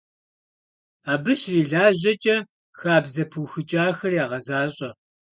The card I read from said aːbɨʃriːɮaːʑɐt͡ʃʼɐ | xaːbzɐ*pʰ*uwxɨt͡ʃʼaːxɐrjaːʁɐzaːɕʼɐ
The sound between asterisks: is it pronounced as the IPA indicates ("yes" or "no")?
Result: yes